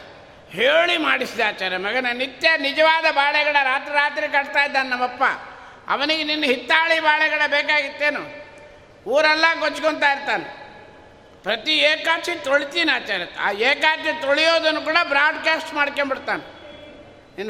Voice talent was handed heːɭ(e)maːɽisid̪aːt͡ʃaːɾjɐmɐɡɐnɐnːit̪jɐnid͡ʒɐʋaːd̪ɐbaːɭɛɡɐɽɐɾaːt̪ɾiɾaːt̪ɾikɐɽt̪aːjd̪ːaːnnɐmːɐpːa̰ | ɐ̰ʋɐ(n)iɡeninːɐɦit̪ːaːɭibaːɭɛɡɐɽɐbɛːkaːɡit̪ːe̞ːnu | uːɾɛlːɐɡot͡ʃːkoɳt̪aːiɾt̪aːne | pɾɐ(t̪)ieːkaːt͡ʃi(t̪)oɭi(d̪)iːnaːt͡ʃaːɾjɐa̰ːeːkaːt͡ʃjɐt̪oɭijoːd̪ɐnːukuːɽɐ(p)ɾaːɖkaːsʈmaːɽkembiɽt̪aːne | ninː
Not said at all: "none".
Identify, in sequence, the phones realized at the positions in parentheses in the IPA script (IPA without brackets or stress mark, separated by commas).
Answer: i, n, t̪, t̪, t̪, b